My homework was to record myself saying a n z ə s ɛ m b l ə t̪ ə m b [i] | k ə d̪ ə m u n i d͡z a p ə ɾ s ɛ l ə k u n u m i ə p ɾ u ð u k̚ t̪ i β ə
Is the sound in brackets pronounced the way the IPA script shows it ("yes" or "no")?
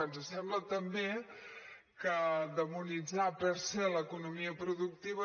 no